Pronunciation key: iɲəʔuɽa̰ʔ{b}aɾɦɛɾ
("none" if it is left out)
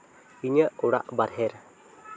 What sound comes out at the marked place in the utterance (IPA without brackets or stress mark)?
b